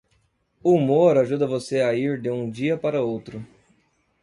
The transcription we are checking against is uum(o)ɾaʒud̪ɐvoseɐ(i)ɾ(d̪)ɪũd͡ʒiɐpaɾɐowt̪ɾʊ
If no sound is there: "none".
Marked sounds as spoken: o, i, d̪

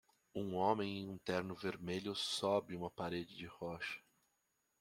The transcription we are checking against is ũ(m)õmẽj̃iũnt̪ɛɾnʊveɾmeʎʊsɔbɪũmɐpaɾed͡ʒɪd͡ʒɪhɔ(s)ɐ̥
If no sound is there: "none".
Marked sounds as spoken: none, ʃ

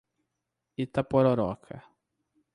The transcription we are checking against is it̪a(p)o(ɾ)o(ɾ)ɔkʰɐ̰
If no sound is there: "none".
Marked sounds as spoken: p, ɾ, ɾ

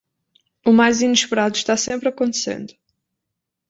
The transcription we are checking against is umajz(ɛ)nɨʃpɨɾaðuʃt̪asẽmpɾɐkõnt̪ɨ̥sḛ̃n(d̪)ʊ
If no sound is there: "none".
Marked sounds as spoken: i, d̪

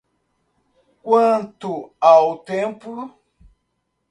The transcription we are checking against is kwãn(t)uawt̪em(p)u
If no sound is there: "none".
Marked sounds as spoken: t, p

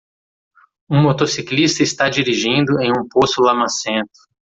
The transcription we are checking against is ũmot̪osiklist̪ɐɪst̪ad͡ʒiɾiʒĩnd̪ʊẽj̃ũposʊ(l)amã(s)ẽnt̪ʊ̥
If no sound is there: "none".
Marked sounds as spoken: l, s

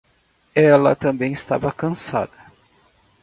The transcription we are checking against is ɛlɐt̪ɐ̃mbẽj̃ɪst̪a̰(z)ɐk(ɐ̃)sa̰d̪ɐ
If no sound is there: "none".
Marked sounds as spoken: v, ɐ̃

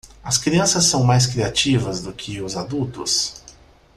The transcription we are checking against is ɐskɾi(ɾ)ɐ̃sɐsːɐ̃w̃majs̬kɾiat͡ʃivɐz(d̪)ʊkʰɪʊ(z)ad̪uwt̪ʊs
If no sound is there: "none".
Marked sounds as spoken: none, d̪, z

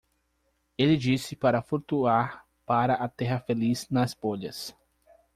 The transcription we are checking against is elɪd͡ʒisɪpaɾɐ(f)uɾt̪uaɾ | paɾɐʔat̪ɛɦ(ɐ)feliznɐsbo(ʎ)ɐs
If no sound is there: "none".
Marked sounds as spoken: f, ɐ, ʎ

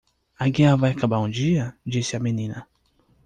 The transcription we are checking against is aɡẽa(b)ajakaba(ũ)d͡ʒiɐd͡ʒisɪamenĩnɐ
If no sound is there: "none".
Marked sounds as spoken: v, ũ

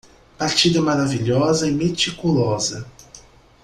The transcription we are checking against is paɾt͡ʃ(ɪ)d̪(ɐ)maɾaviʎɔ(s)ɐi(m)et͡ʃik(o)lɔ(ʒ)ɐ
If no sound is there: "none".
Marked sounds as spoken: i, ɐ, z, m, u, z

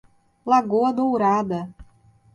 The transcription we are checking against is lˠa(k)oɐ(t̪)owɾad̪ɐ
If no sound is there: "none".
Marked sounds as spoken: ɡ, d̪

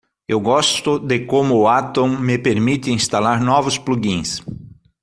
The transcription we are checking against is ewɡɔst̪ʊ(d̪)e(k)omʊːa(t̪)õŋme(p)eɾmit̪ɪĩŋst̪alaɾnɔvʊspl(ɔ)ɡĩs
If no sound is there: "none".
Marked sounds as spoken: d̪, k, t̪, p, u

